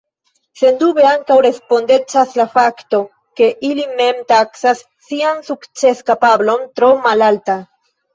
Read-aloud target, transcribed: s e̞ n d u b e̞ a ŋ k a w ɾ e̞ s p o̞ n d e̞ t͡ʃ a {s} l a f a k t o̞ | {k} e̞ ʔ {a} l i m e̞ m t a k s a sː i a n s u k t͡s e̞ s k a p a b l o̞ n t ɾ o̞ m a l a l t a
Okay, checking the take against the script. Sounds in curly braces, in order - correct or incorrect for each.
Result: correct, correct, incorrect

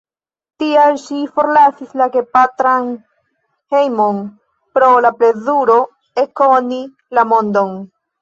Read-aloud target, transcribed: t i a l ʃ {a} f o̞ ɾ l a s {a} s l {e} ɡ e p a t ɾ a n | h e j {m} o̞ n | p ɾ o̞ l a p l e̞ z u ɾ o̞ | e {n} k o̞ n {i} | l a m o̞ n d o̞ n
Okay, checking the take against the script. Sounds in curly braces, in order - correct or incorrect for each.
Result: incorrect, incorrect, incorrect, correct, incorrect, correct

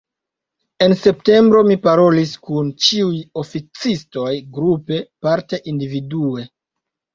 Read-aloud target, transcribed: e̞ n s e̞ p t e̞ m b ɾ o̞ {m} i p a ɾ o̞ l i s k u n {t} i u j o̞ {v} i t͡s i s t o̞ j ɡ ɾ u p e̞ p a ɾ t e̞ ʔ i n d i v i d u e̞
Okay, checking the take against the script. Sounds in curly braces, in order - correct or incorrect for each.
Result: correct, incorrect, incorrect

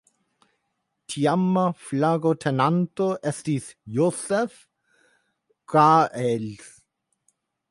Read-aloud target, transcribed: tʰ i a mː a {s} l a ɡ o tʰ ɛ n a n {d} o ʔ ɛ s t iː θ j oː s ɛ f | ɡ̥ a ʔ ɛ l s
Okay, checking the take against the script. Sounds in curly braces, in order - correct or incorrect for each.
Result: incorrect, incorrect

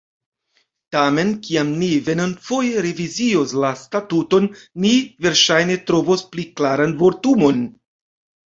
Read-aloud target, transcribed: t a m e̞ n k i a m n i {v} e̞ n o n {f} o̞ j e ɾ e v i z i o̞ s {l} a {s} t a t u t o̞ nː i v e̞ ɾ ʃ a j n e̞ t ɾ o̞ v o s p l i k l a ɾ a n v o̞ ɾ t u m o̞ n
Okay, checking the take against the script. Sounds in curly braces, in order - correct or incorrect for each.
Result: correct, correct, correct, correct

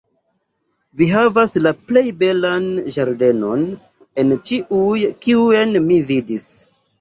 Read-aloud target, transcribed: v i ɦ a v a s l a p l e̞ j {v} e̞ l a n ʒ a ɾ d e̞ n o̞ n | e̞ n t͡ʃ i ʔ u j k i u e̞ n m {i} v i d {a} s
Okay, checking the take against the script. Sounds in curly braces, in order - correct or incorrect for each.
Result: incorrect, correct, incorrect

